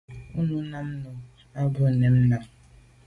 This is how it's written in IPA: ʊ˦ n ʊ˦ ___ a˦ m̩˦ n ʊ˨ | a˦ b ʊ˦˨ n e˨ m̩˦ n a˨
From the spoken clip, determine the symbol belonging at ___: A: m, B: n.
B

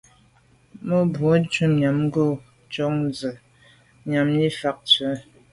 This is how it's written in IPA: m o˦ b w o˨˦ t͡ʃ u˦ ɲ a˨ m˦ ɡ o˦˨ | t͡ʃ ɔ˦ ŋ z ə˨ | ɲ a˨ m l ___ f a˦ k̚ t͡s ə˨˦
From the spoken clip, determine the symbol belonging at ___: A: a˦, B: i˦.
B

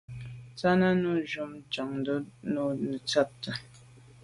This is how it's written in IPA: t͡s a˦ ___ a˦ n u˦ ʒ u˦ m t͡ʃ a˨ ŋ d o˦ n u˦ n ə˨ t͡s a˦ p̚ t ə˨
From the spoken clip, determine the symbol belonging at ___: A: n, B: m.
A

